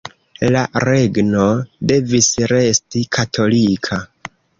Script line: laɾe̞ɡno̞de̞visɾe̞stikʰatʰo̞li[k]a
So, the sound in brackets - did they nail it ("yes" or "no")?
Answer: no